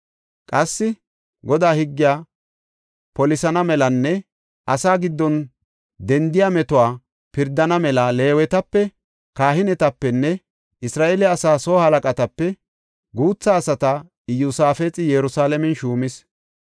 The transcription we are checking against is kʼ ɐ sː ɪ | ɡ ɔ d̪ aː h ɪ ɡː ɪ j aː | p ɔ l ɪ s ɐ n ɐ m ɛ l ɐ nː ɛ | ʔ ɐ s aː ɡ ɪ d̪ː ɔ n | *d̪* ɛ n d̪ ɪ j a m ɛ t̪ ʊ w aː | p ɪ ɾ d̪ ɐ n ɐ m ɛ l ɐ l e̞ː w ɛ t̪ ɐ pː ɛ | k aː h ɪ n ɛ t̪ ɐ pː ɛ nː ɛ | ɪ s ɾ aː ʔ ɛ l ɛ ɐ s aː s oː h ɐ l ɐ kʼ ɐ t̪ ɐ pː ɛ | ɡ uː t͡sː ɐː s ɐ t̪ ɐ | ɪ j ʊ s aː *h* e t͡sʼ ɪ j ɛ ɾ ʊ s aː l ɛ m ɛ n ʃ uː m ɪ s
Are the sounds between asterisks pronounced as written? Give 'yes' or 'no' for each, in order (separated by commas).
yes, no